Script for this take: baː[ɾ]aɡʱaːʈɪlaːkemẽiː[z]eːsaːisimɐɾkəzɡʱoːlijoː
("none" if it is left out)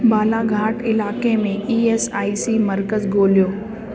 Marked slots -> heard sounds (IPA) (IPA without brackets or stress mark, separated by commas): l, none